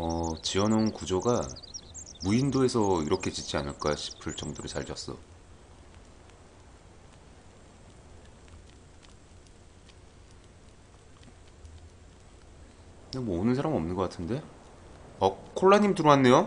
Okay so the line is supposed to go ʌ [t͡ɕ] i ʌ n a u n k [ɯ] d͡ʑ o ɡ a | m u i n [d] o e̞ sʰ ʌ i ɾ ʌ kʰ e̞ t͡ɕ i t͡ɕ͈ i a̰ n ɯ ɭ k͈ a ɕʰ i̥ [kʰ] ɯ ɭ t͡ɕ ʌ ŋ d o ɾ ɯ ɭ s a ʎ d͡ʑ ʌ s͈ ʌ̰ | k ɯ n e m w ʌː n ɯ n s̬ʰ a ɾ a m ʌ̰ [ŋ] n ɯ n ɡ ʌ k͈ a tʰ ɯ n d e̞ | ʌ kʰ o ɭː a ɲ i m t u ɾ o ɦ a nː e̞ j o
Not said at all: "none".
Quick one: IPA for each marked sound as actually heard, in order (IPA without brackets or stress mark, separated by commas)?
t͡ɕ, u, d, pʰ, m